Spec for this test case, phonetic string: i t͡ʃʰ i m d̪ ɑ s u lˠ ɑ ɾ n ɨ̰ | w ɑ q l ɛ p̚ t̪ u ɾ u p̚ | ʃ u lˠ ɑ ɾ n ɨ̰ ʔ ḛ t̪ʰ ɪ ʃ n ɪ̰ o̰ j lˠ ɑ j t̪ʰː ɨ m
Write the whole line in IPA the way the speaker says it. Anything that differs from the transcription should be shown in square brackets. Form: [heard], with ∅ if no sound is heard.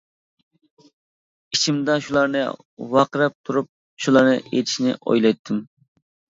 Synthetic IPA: i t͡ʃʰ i m d̪ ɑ [ʃ] u lˠ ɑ ɾ n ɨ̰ | w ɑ q [ɾ] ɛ p̚ [t̪ʰ] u ɾ u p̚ | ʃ u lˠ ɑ ɾ n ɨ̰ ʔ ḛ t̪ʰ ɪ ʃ n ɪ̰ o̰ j lˠ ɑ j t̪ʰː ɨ m